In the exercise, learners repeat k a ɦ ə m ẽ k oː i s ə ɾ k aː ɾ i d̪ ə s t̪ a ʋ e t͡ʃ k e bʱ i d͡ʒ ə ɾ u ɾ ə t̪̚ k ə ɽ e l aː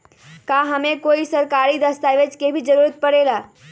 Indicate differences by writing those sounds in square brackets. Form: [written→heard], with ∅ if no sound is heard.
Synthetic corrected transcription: k a ɦ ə m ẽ k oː i s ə ɾ k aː ɾ i d̪ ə s t̪ a ʋ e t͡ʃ k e bʱ i d͡ʒ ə ɾ u ɾ ə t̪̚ [k→p] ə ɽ e l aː